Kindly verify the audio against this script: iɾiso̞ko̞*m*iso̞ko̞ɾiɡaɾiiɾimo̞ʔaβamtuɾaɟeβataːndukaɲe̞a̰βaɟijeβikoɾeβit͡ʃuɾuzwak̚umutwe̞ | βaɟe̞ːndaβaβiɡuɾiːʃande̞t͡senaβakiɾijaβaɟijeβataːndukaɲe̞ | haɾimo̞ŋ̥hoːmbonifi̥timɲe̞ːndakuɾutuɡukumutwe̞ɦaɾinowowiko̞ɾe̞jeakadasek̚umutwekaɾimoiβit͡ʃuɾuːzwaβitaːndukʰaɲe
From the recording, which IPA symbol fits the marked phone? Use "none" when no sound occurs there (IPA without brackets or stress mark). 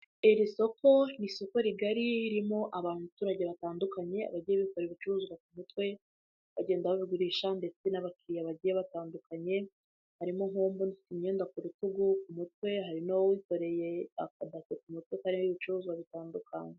n